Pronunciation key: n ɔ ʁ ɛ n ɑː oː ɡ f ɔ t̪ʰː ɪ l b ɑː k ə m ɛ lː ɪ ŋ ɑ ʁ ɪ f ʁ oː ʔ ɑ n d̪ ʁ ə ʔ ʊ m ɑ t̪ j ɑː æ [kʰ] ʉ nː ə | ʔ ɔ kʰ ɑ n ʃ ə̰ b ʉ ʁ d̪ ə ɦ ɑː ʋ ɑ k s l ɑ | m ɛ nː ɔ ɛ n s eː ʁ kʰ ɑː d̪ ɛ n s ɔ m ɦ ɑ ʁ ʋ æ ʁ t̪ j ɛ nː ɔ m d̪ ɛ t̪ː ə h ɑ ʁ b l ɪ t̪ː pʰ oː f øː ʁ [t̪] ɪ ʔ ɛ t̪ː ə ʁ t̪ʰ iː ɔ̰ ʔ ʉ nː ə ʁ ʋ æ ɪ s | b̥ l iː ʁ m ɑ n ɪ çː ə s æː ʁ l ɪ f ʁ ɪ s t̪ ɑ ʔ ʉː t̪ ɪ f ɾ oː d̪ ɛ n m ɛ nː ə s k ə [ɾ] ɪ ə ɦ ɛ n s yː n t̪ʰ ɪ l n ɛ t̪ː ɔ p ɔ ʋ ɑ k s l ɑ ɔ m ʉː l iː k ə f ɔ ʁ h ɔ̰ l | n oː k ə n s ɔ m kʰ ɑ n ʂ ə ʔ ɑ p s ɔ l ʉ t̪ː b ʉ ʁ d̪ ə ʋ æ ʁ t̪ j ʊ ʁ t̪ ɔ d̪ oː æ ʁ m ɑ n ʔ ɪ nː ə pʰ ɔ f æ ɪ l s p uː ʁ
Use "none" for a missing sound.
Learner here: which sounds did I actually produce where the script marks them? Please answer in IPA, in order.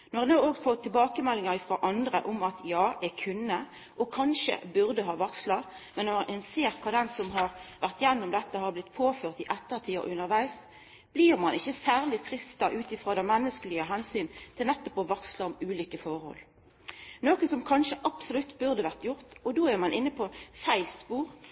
kʰ, t̪, l

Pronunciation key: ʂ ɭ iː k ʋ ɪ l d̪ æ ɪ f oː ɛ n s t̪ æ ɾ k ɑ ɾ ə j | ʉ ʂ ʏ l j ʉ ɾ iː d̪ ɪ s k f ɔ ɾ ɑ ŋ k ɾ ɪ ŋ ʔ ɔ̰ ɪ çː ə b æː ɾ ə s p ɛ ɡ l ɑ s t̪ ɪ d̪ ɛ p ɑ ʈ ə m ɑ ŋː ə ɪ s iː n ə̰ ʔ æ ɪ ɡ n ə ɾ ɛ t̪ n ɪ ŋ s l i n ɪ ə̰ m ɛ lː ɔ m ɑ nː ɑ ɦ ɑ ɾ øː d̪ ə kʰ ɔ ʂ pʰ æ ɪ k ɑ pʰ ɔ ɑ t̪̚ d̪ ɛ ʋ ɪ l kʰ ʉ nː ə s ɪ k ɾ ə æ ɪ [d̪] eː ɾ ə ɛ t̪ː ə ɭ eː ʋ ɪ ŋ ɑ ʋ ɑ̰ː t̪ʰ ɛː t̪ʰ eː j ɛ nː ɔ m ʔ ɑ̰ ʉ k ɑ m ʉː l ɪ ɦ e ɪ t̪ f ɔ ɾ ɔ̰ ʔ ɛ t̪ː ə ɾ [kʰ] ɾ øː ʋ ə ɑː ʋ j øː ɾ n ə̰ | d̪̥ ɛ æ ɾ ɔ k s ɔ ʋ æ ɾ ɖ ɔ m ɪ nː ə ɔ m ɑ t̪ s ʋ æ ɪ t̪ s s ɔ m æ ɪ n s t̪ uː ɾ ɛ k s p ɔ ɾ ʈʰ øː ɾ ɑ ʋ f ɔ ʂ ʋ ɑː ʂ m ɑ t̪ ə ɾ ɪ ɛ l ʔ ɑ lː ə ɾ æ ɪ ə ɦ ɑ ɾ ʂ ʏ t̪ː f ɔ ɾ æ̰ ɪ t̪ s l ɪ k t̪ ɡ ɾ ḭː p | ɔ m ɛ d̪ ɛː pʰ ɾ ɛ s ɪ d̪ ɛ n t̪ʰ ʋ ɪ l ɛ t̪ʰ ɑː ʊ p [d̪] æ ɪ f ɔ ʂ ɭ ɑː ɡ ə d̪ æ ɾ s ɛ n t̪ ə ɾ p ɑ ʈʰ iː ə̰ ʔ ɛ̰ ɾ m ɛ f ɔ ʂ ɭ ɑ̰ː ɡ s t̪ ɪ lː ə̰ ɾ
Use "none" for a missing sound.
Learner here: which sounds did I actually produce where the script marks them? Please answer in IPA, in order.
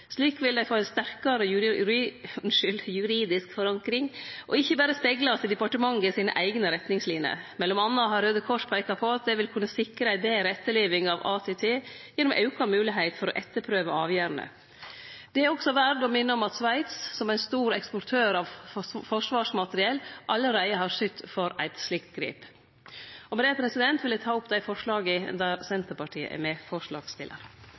d̪, pʰ, d̪

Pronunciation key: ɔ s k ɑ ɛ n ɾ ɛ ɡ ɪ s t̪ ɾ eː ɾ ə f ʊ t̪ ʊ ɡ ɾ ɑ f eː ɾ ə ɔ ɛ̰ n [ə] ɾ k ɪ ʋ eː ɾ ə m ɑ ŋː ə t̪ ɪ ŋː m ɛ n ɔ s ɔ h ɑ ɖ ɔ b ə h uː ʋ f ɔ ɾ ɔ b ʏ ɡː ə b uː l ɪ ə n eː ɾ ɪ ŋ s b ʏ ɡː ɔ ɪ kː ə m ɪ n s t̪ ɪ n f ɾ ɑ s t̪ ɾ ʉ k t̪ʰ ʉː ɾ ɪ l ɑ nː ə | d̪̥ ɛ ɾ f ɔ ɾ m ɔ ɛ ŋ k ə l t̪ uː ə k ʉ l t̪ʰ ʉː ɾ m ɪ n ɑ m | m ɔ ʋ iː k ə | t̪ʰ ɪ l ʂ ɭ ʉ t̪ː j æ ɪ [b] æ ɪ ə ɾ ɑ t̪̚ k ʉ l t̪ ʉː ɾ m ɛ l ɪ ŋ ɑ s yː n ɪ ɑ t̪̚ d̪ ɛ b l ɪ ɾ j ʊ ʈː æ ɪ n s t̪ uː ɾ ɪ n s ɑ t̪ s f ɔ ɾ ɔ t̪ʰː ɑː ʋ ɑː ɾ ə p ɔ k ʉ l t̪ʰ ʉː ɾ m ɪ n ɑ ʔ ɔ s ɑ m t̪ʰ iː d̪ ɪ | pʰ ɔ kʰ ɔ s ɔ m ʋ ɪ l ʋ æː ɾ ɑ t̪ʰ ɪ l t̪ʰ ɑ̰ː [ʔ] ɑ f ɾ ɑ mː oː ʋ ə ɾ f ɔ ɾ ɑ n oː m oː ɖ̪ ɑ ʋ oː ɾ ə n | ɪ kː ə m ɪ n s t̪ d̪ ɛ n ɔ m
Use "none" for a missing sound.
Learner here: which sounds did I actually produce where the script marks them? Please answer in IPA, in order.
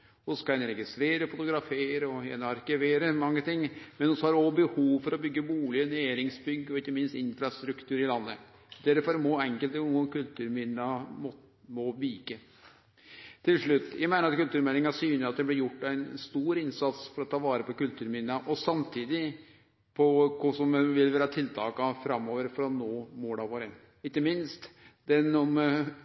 ɑ, m, k

